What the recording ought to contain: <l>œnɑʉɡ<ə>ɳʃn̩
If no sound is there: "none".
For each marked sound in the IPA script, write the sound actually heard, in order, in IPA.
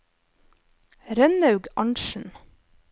ɾ, ɑ

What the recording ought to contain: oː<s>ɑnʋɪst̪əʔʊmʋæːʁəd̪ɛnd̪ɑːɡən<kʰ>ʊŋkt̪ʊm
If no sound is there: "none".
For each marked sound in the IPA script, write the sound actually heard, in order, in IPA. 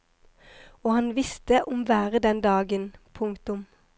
h, pʰ

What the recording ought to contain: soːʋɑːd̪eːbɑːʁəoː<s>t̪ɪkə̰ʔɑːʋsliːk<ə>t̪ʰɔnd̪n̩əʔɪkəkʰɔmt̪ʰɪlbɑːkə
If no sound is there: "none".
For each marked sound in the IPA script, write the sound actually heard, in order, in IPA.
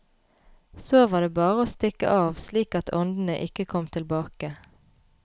s, ɑ

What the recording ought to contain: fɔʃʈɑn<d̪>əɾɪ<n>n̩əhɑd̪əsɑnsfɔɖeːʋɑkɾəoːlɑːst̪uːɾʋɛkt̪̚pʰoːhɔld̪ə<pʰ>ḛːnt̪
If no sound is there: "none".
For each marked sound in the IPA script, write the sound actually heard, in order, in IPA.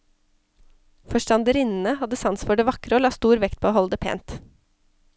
d̪, n, pʰ

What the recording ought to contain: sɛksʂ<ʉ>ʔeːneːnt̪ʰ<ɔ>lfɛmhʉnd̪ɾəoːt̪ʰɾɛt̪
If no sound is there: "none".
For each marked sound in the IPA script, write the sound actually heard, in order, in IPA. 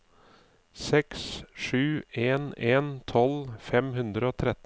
ʉː, ɔ

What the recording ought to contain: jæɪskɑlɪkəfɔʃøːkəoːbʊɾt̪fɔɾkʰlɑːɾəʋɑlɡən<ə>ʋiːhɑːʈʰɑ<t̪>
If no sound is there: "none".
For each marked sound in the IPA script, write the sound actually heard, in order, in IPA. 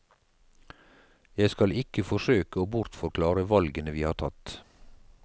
ə, t̪

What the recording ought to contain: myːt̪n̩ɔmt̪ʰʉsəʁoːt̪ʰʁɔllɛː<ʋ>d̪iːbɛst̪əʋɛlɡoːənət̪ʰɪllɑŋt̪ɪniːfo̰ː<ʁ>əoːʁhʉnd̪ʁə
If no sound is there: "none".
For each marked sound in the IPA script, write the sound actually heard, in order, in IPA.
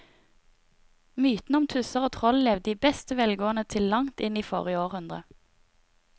ʋ, ʁ

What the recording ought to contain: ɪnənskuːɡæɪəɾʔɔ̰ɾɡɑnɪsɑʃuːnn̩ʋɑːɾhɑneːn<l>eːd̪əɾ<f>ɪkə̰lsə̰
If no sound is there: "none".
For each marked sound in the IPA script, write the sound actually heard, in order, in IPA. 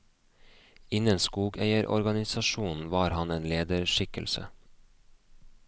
l, ʃ

